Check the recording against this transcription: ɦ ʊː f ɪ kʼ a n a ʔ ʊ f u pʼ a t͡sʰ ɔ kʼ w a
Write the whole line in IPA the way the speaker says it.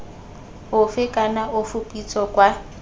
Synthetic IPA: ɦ ʊ f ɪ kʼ a n a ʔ ʊ f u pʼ i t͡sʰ ɔ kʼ w a

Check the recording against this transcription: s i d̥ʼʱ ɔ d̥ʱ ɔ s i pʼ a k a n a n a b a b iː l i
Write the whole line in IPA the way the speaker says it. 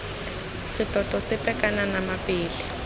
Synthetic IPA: s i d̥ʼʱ ɔ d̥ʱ ɔ s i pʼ ɛ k a n a n a m a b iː l i

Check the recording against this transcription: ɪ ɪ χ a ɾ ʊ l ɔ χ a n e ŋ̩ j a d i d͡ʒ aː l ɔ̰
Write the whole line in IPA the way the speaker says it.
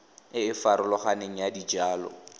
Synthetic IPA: ɪ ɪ f a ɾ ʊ l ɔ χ a n e ŋ̩ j a d i d͡ʒ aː l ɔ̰

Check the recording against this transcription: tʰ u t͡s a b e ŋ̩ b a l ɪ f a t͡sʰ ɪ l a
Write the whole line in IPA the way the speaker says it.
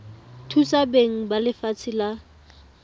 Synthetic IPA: tʰ u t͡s a b e ŋ̩ b a l ɪ f a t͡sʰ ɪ l a

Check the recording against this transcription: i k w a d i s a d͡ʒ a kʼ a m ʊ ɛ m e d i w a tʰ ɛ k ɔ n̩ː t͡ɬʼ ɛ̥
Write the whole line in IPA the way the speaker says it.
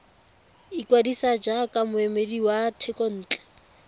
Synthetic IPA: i k w a d i s a d͡ʒ a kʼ a m ʊ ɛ m e d i w a tʰ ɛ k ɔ n̩ː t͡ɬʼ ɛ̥

